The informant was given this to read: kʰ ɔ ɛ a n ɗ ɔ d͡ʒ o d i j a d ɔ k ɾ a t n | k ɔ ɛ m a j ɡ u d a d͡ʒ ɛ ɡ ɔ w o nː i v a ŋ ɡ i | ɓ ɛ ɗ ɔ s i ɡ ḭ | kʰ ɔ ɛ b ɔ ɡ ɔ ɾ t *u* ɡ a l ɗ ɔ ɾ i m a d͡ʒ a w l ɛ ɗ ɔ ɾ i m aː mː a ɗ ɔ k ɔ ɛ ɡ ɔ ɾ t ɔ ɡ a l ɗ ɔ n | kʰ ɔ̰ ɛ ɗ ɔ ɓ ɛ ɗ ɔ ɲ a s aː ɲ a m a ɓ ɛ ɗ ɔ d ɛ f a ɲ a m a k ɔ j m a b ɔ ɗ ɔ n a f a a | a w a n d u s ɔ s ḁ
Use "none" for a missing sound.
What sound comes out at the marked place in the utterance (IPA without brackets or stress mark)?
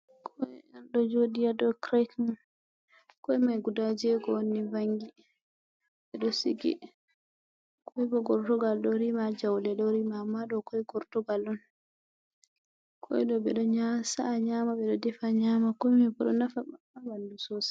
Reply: ɔ